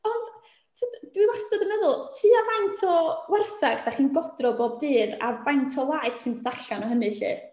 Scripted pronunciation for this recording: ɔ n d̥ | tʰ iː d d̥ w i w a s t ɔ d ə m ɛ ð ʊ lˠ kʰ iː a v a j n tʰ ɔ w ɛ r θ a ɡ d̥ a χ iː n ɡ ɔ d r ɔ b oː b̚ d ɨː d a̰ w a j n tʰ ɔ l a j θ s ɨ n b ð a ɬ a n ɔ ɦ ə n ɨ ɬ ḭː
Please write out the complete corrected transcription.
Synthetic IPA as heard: ɔ n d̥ | tʰ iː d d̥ w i w a s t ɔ d ə m ɛ ð ʊ lˠ tʰ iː a v a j n tʰ ɔ w ɛ r θ a ɡ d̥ a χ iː n ɡ ɔ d r ɔ b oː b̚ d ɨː d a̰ v a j n tʰ ɔ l a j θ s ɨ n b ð a ɬ a n ɔ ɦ ə n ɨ ɬ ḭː

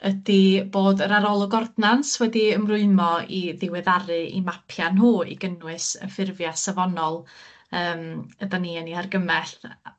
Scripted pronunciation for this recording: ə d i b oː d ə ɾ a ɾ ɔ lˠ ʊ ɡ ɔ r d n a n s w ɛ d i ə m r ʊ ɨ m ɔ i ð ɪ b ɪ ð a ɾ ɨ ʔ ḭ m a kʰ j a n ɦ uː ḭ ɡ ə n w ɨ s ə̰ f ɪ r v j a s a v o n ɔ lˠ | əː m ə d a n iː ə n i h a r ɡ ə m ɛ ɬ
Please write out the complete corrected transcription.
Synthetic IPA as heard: ə d i b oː d ə ɾ a ɾ ɔ lˠ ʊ ɡ ɔ r d n a n s w ɛ d i ə m r ʊ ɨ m ɔ i ð ɪ w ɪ ð a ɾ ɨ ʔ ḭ m a pʰ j a n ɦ uː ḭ ɡ ə n w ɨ s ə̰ f ɪ r v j a s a v ɔ n ɔ lˠ | əː m ə d a n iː ə n i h a r ɡ ə m ɛ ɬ

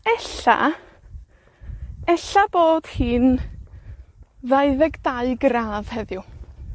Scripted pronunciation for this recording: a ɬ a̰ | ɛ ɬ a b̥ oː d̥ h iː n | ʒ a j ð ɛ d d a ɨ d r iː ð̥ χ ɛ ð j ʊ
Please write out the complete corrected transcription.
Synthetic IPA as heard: ɛ ɬ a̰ | ɛ ɬ a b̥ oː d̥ h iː n | ð a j ð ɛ ɡ d a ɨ ɡ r aː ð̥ h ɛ ð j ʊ

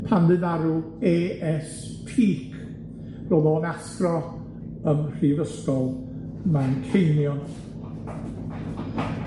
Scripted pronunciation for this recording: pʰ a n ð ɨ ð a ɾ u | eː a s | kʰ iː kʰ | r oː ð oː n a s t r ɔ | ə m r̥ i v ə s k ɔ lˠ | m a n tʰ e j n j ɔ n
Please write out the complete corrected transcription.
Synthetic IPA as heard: pʰ a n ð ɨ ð a ɾ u | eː ɛ s | pʰ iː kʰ | r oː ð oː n a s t r ɔ | ə m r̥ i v ə s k ɔ lˠ | m a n kʰ e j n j ɔ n

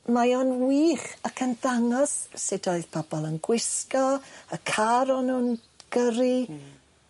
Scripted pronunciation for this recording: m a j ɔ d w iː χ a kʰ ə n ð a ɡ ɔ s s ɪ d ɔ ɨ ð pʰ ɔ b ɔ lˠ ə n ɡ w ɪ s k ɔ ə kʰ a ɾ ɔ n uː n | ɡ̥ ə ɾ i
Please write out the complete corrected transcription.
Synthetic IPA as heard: m a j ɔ n w iː χ a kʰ ə n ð a ŋ ɔ s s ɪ d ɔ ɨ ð pʰ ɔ b ɔ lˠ ə n ɡ w ɪ s k ɔ ə kʰ a ɾ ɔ n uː n | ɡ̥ ə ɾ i

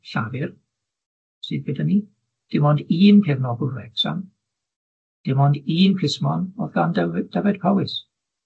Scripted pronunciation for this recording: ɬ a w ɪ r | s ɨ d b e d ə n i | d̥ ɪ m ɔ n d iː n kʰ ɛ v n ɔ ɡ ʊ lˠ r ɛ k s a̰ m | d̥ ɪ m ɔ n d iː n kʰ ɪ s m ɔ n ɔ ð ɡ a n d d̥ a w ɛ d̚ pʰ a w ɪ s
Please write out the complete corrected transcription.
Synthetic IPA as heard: ɬ a v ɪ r | s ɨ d b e d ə n i | d̥ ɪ m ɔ n d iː n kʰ ɛ v n ɔ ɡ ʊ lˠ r ɛ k s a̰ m | d̥ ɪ m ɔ n d iː n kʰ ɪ s m ɔ n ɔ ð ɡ a n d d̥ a v ɛ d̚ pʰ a w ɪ s

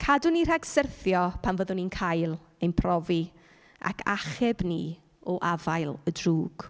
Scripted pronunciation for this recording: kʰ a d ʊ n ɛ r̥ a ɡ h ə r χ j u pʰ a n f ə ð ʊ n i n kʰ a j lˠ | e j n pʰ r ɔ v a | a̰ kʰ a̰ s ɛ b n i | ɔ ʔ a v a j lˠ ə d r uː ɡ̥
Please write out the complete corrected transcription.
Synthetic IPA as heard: kʰ a d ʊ n i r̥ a ɡ s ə r θ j ɔ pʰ a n v ə ð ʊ n i n kʰ a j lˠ | e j n pʰ r ɔ v i | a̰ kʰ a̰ χ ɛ b n i | ɔ ʔ a v a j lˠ ə d r uː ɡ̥

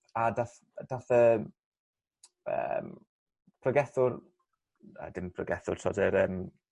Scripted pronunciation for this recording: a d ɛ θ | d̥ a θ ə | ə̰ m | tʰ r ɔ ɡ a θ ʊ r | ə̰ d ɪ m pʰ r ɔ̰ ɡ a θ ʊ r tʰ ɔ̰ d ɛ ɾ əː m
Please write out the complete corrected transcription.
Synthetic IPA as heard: a d a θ | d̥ a θ ə | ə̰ m | pʰ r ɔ ɡ ɛ θ ʊ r | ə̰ d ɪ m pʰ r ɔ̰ ɡ ɛ θ ʊ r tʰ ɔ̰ d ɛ ɾ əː m

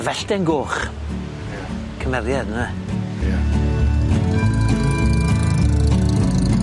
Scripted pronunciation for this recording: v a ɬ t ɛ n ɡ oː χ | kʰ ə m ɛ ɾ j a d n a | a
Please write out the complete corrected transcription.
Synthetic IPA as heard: v ɛ ɬ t ɛ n ɡ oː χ | kʰ ə m ɛ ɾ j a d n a | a

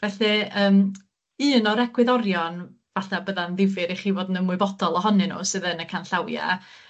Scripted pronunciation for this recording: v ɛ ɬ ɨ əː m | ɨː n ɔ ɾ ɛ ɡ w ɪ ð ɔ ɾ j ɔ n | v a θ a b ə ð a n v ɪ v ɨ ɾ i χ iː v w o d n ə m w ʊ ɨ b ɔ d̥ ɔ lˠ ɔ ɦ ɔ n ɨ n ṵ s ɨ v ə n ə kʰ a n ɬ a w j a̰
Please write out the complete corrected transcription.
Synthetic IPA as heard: v ɛ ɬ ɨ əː m | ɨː n ɔ ɾ ɛ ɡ w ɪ ð ɔ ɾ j ɔ n | v a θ a b ə ð a n ð ɪ v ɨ ɾ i χ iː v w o d n ə m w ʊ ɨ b ɔ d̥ ɔ lˠ ɔ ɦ ɔ n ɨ n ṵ s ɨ ð ə n ə kʰ a n ɬ a w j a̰

